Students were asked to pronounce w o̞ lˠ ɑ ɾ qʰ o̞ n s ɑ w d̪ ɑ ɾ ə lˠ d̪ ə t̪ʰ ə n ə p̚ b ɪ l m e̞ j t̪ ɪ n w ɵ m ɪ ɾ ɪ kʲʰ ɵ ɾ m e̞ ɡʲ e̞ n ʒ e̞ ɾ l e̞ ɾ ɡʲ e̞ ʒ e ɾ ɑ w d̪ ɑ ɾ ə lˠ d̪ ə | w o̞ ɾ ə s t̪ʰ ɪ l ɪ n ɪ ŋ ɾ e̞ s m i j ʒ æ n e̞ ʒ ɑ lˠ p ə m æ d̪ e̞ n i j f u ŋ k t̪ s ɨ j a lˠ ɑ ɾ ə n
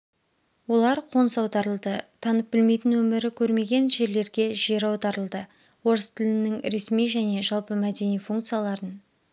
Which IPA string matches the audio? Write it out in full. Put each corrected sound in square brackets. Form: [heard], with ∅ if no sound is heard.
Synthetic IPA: w o̞ lˠ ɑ ɾ qʰ o̞ n s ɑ w d̪ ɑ ɾ ə lˠ d̪ ə t̪ʰ [ɑ] n ə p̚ b ɪ l m e̞ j t̪ ɪ n w ɵ m ɪ ɾ ɪ kʲʰ ɵ ɾ m e̞ ɡʲ e̞ n ʒ e̞ ɾ l e̞ ɾ ɡʲ e̞ ʒ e ɾ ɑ w d̪ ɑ ɾ ə lˠ d̪ ə | w o̞ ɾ ə s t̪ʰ ɪ l ɪ n ɪ ŋ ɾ e̞ s m i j ʒ æ n e̞ ʒ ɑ lˠ p ə m æ d̪ e̞ n i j f u ŋ k t̪ s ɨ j a lˠ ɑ ɾ ə n